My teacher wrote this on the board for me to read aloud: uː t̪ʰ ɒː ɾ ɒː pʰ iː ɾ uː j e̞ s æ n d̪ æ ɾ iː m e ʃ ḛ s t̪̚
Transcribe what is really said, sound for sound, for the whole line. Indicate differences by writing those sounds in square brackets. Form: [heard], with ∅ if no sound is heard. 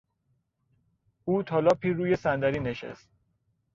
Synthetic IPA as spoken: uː t̪ʰ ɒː [l] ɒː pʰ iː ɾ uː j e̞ s æ n d̪ æ ɾ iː [n] e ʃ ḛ s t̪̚